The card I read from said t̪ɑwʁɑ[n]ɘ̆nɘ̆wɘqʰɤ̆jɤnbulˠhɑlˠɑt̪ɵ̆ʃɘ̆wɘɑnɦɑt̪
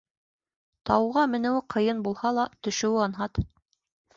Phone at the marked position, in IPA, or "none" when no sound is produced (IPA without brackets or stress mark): m